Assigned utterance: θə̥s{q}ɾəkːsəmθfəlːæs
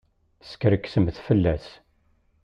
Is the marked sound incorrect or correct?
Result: incorrect